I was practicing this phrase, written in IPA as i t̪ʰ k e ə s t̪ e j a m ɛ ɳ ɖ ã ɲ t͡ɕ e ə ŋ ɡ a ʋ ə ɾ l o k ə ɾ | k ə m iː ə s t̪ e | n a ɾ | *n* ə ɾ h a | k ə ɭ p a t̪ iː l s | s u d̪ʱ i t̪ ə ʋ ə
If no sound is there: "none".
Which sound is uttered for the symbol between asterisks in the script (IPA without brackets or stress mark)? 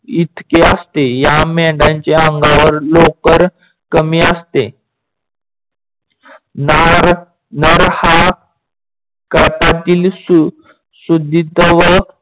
n